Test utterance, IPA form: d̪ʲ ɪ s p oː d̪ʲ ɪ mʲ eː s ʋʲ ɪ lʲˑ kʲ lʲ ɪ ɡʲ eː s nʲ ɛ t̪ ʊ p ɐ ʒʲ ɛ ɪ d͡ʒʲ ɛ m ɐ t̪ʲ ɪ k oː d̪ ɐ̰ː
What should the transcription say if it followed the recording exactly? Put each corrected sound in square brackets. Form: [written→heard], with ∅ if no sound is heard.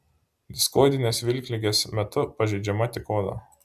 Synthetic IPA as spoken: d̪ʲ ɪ s [p→k] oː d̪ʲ ɪ [mʲ→nʲ] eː s ʋʲ ɪ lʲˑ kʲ lʲ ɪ ɡʲ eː s [nʲ→mʲ] ɛ t̪ ʊ p ɐ ʒʲ ɛ ɪ d͡ʒʲ ɛ m ɐ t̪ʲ ɪ k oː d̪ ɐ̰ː